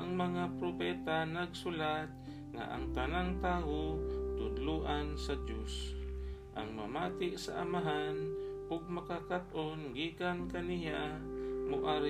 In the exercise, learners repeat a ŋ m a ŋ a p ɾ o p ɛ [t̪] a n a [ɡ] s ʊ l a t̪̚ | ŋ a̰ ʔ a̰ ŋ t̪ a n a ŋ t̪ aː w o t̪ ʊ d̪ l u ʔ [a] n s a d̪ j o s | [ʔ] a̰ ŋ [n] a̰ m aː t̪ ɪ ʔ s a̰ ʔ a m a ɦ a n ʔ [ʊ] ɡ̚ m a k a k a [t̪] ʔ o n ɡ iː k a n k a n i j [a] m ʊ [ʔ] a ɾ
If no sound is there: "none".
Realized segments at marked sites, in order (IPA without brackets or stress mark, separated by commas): t̪, ɡ, a, ʔ, m, ʊ, t̪, a, ʔ